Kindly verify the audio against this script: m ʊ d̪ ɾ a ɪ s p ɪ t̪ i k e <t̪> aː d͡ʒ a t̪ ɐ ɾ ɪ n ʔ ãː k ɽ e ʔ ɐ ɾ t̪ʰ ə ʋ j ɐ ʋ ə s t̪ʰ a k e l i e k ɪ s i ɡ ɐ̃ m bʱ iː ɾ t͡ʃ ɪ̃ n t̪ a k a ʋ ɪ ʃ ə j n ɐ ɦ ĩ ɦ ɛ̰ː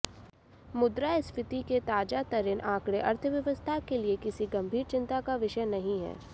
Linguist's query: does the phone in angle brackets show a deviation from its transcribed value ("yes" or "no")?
no